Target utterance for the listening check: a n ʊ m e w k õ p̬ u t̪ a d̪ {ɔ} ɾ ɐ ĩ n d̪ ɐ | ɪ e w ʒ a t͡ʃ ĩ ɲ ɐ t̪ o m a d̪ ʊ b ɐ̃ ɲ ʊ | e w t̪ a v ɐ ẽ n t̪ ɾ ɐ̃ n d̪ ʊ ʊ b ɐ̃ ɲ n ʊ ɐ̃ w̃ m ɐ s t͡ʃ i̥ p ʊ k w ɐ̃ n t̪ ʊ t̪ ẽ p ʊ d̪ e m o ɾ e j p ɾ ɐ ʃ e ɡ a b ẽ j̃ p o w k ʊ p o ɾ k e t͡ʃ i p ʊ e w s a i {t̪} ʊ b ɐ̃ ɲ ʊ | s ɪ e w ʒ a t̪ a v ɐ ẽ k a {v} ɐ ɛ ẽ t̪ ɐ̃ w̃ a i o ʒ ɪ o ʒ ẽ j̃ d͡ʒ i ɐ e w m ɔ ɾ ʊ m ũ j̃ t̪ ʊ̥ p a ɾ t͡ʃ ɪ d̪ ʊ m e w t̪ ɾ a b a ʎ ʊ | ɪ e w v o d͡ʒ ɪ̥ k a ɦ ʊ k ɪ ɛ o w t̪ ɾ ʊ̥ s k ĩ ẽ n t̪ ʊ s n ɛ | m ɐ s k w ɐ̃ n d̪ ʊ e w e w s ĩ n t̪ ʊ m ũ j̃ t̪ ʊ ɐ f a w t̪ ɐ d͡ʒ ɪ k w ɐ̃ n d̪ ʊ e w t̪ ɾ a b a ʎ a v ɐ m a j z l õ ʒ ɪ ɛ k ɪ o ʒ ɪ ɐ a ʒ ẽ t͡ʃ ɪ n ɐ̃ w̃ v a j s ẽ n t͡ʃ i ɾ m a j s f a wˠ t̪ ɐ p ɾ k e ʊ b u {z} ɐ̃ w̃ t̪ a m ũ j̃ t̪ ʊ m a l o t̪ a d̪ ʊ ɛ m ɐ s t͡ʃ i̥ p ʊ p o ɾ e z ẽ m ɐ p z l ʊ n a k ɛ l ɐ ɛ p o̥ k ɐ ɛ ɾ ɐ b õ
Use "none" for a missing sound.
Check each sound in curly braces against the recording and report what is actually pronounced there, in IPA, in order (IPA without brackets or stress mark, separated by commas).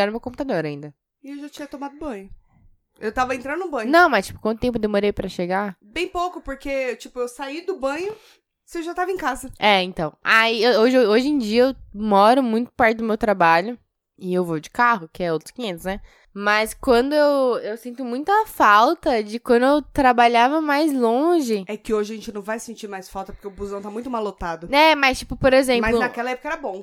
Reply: o, d̪, z, z